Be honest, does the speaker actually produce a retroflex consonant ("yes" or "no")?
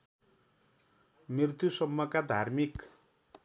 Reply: no